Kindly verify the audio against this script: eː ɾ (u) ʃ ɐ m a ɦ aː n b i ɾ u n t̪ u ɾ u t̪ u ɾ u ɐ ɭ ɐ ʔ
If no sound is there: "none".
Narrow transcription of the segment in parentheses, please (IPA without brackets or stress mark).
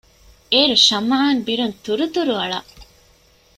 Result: u